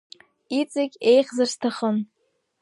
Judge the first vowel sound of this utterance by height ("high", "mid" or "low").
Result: high